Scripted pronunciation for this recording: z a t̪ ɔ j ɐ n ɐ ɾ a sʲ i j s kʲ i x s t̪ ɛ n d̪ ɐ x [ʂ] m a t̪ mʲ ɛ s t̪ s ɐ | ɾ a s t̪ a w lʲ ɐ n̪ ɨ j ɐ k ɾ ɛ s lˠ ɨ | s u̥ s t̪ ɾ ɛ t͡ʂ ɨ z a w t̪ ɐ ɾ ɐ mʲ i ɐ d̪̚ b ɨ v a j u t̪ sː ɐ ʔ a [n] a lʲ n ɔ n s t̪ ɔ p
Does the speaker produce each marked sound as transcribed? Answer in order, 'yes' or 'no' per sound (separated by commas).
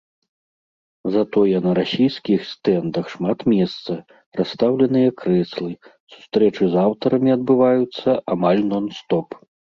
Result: yes, no